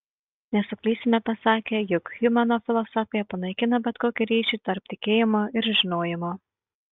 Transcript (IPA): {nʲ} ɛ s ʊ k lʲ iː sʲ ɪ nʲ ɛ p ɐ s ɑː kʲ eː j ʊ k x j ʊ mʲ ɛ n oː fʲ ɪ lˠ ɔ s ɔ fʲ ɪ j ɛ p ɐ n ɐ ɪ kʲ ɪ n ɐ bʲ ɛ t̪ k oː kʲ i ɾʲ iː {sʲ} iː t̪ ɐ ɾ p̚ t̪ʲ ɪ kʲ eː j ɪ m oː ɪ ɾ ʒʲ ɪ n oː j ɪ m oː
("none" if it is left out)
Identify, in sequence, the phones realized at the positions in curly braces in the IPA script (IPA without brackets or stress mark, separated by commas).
nʲ, ʃʲ